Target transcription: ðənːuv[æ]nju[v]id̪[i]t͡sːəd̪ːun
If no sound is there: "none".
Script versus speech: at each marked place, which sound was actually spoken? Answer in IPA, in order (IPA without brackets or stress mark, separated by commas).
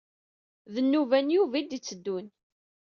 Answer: æ, v, i